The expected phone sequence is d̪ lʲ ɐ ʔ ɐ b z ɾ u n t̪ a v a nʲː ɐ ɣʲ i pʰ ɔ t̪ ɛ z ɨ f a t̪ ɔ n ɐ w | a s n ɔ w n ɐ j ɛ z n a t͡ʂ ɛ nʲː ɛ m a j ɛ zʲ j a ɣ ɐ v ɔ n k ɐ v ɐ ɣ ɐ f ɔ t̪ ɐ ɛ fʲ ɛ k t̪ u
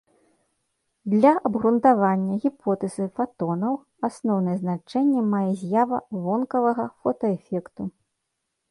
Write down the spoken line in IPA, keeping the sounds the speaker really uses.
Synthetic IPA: d̪ lʲ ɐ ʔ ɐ b ɣ ɾ u n t̪ a v a nʲː ɐ ɣʲ i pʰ ɔ t̪ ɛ z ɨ f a t̪ ɔ n ɐ w | a s n ɔ w n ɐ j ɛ z n a t͡ʂ ɛ nʲː ɛ m a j ɛ zʲ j a v ɐ v ɔ n k ɐ v ɐ ɣ ɐ f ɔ t̪ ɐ ɛ fʲ ɛ k t̪ u

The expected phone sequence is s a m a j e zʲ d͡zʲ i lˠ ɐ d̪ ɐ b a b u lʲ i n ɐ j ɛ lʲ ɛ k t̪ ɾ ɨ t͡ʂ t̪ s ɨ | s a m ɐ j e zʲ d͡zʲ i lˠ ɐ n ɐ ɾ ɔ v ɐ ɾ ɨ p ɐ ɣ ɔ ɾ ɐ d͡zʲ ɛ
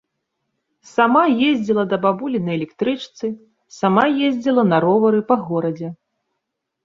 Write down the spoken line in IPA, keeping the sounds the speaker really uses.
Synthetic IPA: s a m a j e zʲ d͡zʲ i lˠ ɐ d̪ ɐ b a b u lʲ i n ɐ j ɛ lʲ ɛ k t̪ ɾ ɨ t͡ʂ t̪ s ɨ | s a m a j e zʲ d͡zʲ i lˠ ɐ n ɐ ɾ ɔ v ɐ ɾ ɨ p ɐ ɣ ɔ ɾ ɐ d͡zʲ ɛ

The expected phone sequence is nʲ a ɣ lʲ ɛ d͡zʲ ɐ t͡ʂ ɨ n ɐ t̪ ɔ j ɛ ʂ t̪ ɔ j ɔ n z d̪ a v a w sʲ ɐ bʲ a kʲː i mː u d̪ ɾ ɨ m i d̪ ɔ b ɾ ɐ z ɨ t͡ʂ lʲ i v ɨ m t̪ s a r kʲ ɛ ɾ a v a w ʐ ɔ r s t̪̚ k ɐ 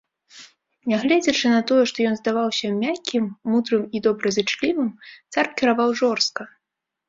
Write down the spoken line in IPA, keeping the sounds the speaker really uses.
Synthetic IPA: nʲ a ɣ lʲ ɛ d͡zʲ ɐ t͡ʂ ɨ n ɐ t̪ ɔ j ɛ ʂ t̪ ɔ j ɔ n z d̪ a v a w sʲ ɐ mʲ a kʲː i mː u d̪ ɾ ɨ m i d̪ ɔ b ɾ ɐ z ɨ t͡ʂ lʲ i v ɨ m t̪ s a r kʲ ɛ ɾ a v a w ʐ ɔ r s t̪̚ k ɐ

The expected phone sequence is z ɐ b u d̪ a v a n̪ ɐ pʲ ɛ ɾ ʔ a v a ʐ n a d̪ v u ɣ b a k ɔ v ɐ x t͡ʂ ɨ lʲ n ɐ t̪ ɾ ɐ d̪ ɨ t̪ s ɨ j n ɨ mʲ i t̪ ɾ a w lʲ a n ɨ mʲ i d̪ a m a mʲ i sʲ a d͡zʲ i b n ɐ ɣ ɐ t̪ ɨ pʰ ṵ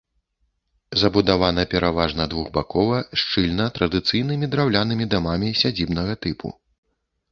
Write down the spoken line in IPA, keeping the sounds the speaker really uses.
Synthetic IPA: z ɐ b u d̪ a v a n̪ ɐ pʲ ɛ ɾ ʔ a v a ʐ n ɐ d̪ v u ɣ b a k ɔ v ɐ ʂ t͡ʂ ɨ lʲ n ɐ t̪ ɾ ɐ d̪ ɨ t̪ s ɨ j n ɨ mʲ i d̪ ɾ a w lʲ a n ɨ mʲ i d̪ a m a mʲ i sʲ a d͡zʲ i b n ɐ ɣ ɐ t̪ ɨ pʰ ṵ

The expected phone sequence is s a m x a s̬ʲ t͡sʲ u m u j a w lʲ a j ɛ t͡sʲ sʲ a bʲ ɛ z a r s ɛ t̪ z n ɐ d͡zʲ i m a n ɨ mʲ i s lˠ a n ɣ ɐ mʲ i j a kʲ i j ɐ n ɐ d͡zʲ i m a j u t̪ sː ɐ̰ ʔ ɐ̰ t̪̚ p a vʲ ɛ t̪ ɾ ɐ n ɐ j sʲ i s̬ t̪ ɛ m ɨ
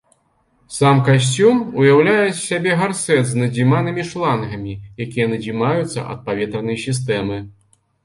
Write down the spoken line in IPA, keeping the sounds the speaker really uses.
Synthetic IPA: s a m k a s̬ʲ t͡sʲ u m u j a w lʲ a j ɛ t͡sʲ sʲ a bʲ ɛ ɣ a r s ɛ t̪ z n ɐ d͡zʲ i m a n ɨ mʲ i ʂ lˠ a n ɣ ɐ mʲ i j a kʲ i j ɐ n ɐ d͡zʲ i m a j u t̪ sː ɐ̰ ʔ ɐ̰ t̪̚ p a vʲ ɛ t̪ ɾ ɐ n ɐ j sʲ i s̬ t̪ ɛ m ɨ

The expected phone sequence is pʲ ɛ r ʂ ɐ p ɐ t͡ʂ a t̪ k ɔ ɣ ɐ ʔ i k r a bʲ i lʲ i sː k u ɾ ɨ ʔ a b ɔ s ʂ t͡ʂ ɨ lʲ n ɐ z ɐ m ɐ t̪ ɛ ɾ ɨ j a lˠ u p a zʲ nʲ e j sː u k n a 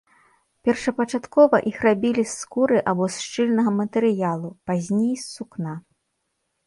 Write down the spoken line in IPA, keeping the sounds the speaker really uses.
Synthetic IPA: pʲ ɛ r ʂ ɐ p ɐ t͡ʂ a t̪ k ɔ v ɐ ʔ i x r a bʲ i lʲ i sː k u ɾ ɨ ʔ a b ɔ s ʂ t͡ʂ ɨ lʲ n ɐ ɣ ɐ m ɐ t̪ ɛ ɾ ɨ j a lˠ u p a zʲ nʲ e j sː u k n a

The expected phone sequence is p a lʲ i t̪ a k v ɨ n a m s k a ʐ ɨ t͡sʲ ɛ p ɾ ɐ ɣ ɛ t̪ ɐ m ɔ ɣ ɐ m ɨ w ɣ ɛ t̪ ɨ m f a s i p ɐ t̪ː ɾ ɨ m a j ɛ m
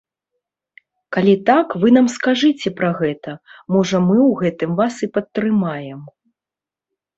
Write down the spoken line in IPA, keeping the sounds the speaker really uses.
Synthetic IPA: k a lʲ i t̪ a k v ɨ n a m s k a ʐ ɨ t͡sʲ ɛ p ɾ ɐ ɣ ɛ t̪ ɐ m ɔ ʐ ɐ m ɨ w ɣ ɛ t̪ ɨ m v a s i p ɐ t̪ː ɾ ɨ m a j ɛ m

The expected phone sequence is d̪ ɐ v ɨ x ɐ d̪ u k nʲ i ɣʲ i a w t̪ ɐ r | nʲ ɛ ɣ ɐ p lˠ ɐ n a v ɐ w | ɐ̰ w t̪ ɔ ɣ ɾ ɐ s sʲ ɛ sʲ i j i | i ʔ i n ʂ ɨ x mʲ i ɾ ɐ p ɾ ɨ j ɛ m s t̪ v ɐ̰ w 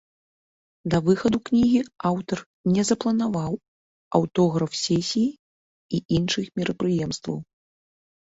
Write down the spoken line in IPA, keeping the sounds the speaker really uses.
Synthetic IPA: d̪ ɐ v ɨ x ɐ d̪ u k nʲ i ɣʲ i a w t̪ ɐ r | nʲ ɛ z ɐ p lˠ ɐ n a v a w | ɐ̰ w t̪ ɔ ɣ ɾ ɐ f sʲ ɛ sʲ i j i | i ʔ i n ʂ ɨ x mʲ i ɾ ɐ p ɾ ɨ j ɛ m s t̪ v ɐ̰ w

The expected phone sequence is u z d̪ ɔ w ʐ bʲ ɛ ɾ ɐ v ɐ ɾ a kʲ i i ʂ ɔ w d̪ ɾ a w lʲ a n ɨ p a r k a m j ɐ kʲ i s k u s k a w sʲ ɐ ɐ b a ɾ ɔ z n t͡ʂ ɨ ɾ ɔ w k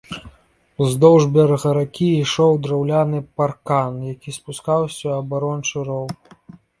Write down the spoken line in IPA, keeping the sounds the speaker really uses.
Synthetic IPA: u z d̪ ɔ w ʐ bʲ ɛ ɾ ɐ ɣ ɐ ɾ a kʲ i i ʂ ɔ w d̪ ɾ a w lʲ a n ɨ p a r k a n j a kʲ i s p u s k a w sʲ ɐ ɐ b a ɾ ɔ n t͡ʂ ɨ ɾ ɔ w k

